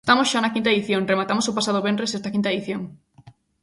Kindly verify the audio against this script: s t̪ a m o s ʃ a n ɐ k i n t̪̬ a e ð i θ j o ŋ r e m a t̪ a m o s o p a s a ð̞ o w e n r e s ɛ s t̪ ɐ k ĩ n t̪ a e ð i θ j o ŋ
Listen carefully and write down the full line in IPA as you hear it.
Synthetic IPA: s t̪ a m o s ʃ a n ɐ k i n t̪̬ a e ð i θ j o ŋ r e m a t̪ a m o s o p a s a ð̞ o β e n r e s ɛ s t̪ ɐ k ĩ n t̪ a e ð i θ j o ŋ